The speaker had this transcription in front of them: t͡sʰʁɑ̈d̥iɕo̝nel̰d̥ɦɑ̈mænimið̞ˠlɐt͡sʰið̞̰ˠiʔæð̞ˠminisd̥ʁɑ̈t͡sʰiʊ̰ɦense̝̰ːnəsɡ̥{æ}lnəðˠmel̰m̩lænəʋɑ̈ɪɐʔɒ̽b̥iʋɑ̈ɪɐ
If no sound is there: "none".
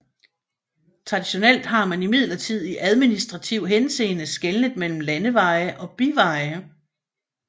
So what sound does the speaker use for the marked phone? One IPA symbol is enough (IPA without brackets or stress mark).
e